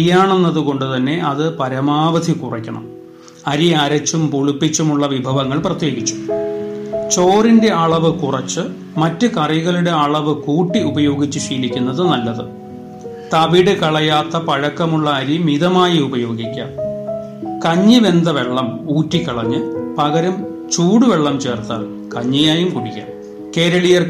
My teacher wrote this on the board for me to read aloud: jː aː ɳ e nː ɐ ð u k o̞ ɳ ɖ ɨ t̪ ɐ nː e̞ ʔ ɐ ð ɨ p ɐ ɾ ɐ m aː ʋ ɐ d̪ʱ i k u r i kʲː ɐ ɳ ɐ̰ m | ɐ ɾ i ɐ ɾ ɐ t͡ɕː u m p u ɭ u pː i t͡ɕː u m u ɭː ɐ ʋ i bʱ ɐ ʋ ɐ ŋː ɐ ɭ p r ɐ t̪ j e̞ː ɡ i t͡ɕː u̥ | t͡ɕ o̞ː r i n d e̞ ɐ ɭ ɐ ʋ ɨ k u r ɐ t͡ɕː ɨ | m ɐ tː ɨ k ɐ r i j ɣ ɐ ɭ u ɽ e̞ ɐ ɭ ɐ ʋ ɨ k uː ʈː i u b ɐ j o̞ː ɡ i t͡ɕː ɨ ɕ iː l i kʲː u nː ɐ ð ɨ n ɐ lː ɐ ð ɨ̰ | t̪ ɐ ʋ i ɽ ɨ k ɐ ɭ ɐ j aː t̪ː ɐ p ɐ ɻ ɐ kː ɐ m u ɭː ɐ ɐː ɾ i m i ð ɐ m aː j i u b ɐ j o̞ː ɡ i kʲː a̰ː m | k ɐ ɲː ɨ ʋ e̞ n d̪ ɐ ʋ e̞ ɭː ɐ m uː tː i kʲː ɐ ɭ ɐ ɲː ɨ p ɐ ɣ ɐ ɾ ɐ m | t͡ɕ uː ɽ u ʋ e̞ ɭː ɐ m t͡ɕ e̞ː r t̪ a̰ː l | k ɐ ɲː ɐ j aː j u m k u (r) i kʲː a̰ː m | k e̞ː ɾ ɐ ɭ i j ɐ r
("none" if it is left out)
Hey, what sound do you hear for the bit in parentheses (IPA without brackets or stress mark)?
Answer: ɽ